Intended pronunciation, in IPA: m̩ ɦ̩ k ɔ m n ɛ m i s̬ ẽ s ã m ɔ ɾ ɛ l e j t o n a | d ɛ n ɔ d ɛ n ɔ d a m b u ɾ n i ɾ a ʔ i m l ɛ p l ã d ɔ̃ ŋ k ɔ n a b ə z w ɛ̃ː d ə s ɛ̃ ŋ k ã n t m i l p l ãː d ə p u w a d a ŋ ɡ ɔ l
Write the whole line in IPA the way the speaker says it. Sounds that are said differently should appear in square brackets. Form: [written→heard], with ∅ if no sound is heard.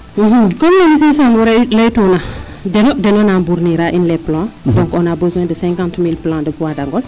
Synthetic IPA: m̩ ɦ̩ k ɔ m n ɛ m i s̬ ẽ s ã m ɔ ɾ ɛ l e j t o n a | d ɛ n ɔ d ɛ n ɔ [d→n] a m b u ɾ n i ɾ a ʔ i [m→n] l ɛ p l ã d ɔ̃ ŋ k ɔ n a b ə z w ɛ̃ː d ə s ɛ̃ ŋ k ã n t m i l p l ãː d ə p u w a d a ŋ ɡ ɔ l